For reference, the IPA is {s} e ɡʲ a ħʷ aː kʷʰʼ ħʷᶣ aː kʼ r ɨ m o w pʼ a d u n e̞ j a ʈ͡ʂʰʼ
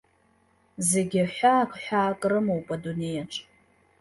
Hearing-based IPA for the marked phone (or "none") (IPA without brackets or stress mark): z